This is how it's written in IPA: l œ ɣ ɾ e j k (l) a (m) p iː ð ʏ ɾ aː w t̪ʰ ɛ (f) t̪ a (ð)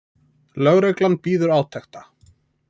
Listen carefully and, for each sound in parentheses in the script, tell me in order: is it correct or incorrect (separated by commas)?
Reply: correct, incorrect, incorrect, incorrect